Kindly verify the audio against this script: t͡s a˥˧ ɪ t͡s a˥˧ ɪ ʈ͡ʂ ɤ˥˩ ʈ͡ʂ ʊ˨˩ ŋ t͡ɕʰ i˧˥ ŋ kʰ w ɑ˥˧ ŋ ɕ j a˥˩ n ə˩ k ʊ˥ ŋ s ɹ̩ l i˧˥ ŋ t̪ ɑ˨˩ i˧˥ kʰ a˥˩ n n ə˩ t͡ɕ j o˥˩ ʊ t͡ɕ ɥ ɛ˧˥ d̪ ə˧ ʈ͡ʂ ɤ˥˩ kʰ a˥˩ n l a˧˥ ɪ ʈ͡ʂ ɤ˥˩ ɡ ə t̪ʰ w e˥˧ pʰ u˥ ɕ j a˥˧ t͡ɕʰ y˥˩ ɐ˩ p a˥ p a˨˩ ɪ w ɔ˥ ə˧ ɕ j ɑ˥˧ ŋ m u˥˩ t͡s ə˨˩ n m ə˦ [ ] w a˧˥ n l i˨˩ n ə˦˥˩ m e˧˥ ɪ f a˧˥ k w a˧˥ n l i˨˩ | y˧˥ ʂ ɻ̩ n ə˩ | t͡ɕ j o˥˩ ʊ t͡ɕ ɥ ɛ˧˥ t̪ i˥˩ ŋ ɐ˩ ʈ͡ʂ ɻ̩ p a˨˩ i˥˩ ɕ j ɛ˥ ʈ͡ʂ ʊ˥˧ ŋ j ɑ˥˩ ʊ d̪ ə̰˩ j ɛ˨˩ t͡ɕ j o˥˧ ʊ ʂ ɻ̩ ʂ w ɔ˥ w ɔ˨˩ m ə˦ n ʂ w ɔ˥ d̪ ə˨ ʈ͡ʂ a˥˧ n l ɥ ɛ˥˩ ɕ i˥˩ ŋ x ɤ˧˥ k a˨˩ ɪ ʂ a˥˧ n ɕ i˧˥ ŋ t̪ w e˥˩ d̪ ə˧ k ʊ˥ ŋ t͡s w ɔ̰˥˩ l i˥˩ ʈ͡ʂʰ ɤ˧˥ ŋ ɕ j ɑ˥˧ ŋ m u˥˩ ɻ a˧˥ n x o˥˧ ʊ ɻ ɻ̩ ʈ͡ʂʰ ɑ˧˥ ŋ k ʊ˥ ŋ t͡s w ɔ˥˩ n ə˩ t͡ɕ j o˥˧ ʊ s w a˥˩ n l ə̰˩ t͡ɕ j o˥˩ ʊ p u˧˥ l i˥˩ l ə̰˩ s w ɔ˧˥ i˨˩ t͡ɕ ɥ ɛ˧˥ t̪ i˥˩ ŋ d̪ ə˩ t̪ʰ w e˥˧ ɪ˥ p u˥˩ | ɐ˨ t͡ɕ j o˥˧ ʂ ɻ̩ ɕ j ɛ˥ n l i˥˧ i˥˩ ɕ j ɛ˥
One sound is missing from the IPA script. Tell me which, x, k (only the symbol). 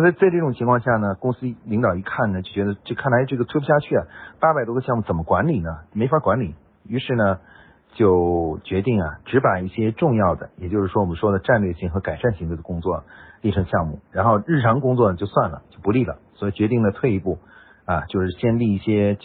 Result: k